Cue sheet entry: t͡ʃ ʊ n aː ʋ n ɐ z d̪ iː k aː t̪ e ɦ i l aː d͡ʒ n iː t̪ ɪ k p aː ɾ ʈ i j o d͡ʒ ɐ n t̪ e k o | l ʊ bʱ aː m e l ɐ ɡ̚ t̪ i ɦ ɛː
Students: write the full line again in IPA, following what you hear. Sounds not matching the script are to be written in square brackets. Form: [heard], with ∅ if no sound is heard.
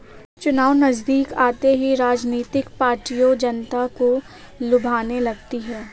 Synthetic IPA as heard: t͡ʃ ʊ n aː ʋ n ɐ z d̪ iː k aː t̪ e ɦ i [ɾ] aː d͡ʒ n iː t̪ ɪ k p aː ɾ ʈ i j o d͡ʒ ɐ n t̪ [a] k o | l ʊ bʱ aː [n] e l ɐ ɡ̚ t̪ i ɦ ɛː